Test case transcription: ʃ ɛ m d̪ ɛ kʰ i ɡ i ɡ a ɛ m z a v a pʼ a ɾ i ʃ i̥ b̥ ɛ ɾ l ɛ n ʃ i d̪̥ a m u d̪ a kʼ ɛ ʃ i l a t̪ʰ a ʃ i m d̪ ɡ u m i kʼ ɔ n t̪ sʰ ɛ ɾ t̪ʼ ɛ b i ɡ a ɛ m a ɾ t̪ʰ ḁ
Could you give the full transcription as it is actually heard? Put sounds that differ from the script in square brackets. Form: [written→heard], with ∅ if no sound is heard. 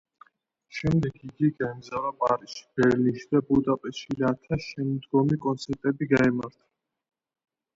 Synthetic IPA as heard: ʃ ɛ m d̪ ɛ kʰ i ɡ i ɡ a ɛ m z a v a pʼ a ɾ i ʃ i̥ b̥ ɛ ɾ l [ɛ→i] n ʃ i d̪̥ a [m→b] u d̪ a [kʼ→pʼ] ɛ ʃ i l a t̪ʰ a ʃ [i→ɛ] m d̪ ɡ [u→ɔ] m i kʼ ɔ n t̪ sʰ ɛ ɾ t̪ʼ ɛ b i ɡ a ɛ m a ɾ t̪ʰ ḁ